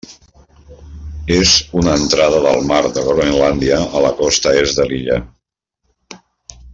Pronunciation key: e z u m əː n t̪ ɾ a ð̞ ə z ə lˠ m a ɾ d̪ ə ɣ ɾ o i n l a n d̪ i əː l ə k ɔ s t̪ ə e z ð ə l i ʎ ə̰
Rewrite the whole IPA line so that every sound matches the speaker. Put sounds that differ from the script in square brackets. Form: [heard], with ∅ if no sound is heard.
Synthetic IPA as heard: e z u [n] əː n t̪ ɾ a ð̞ ə [ð] ə lˠ m a ɾ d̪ ə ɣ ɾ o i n l a n d̪ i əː l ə k ɔ s t̪ ə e z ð ə l i ʎ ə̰